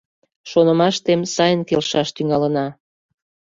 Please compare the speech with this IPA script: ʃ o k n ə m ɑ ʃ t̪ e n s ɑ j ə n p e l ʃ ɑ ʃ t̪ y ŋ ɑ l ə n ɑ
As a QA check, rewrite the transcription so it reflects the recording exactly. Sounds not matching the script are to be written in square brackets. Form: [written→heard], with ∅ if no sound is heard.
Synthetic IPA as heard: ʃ o [k→∅] n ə m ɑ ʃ t̪ e [n→m] s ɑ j ə n [p→k] e l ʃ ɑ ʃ t̪ y ŋ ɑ l ə n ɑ